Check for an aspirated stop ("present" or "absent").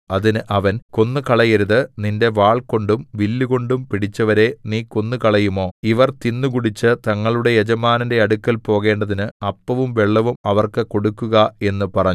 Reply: absent